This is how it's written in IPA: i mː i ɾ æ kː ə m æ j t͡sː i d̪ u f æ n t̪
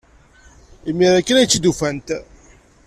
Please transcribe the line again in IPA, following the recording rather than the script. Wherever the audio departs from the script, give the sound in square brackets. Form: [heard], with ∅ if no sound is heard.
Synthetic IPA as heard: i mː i ɾ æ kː ə [n] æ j t͡sː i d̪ u f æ n t̪